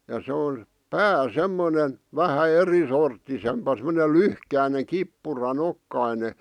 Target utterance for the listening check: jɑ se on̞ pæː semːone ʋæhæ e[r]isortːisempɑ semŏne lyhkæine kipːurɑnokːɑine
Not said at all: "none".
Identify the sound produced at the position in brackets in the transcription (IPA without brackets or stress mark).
r